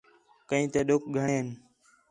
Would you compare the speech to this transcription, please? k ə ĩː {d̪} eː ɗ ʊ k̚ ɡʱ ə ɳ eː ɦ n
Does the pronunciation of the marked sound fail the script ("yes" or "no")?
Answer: yes